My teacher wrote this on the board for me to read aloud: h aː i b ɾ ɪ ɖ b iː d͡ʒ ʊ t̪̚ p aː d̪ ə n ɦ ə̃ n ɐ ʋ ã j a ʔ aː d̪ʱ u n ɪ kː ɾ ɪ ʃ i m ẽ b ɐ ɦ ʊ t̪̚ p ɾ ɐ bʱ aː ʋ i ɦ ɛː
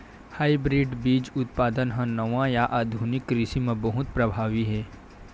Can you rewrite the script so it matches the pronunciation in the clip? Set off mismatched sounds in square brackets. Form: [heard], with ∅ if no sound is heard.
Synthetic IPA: h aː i b ɾ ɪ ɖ b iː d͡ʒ ʊ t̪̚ p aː d̪ ə n ɦ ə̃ n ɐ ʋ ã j a ʔ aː d̪ʱ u n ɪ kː ɾ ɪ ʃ i m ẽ b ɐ ɦ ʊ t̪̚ p ɾ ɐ bʱ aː ʋ i ɦ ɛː